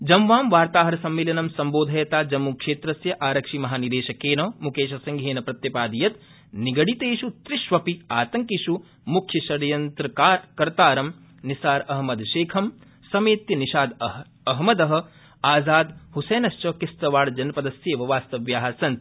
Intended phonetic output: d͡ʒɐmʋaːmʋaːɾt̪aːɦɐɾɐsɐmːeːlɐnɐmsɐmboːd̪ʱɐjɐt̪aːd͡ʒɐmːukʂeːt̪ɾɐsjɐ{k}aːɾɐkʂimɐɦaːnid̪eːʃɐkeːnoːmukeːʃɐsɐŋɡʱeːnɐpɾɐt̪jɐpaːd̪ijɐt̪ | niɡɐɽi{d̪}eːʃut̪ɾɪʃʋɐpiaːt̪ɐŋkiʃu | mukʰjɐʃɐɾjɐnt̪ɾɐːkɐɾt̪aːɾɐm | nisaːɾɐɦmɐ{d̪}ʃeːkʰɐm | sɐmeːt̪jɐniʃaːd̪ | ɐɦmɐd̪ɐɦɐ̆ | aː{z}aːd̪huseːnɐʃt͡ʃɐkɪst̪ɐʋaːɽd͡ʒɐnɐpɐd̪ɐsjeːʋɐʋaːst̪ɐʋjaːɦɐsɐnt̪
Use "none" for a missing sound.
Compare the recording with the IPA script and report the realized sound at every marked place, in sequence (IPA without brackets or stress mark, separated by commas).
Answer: ʔ, t̪, d̪, z